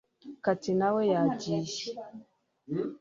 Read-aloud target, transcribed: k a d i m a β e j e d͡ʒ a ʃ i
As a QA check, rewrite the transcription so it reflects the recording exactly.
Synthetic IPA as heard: k a t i n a w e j a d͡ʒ i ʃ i

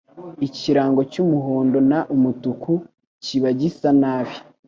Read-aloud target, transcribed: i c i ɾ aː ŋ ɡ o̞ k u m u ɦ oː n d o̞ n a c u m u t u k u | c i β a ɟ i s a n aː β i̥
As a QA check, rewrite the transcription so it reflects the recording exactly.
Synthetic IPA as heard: i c i ɾ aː ŋ ɡ o̞ c u m u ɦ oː n d o̞ n a ʔ u m u t u k u | c i β a ɟ i s a n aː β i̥

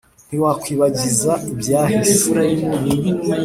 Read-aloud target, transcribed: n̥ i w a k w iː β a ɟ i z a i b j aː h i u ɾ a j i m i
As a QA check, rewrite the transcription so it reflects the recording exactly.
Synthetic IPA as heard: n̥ i w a k w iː β a ɟ i z a i b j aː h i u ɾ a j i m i

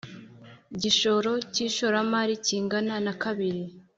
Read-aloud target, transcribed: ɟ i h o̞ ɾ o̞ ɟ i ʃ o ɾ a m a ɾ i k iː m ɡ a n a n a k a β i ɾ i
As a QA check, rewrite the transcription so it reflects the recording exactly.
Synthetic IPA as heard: ɟ i ʃ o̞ ɾ o̞ c i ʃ o ɾ a m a ɾ i c iː ŋ ɡ a n a n a k a β i ɾ i

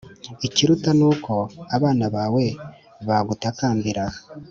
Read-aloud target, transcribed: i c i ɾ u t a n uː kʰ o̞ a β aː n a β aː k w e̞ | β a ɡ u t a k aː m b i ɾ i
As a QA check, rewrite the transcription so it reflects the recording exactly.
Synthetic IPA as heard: i c i ɾ u t a n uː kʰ o̞ a β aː n a β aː w e̞ | β a ɡ u t a k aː m b i ɾ a

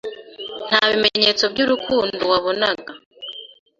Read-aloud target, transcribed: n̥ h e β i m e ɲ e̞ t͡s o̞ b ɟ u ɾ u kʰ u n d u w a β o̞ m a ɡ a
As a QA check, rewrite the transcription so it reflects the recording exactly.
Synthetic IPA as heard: n̥ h a β i m e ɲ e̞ t͡s o̞ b ɟ u ɾ u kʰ uː n d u w a β o̞ n a ɡ a

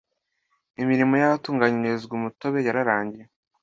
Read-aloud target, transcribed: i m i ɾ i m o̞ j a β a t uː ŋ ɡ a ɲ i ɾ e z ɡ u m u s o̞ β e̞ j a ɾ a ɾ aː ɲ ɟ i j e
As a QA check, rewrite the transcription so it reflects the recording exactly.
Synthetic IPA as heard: i m i ɾ i m o̞ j a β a t uː ŋ ɡ a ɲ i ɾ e z ɡ u m u t o̞ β e̞ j a ɾ a ɾ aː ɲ ɟ i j e

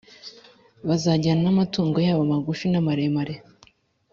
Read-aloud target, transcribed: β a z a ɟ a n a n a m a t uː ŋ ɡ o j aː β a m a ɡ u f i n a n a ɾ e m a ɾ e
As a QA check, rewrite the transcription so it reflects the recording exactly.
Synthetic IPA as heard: β a z a ɟ a n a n a m a t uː ŋ ɡ o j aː β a m a ɡ u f i n a m a ɾ e m a ɾ e

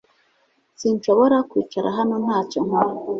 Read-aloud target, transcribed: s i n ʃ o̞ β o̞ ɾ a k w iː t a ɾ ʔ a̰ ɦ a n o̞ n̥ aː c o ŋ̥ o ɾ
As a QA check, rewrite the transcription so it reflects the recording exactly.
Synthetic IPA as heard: s i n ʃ o̞ β o̞ ɾ a k w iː t͡ʃ a ɾ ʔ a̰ ɦ a n o̞ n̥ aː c o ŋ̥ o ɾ

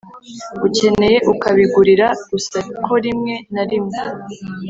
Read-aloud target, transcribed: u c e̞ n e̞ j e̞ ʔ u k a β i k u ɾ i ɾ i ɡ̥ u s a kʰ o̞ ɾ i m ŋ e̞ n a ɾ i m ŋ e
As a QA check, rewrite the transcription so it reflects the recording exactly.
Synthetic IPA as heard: u c e̞ n e̞ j e̞ ʔ u k a β i ɡ u ɾ i ɾ a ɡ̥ u s a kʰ o̞ ɾ i m ŋ e̞ n a ɾ i m ŋ e

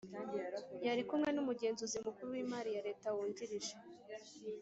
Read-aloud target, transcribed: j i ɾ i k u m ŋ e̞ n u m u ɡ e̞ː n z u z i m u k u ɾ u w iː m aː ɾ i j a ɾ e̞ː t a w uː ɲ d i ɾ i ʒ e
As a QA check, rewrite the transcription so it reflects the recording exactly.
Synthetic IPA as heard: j a ɾ i k u m ŋ e̞ n u m u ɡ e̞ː n z u z i m u k u ɾ u w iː m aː ɾ i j a ɾ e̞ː t a w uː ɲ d i ɾ i ʒ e

